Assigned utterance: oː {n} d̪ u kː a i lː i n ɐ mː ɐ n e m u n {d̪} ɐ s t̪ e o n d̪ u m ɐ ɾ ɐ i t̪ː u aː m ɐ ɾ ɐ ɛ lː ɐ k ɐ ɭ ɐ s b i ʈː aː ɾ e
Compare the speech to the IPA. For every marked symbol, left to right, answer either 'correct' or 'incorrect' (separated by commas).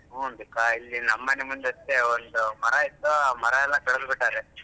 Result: correct, correct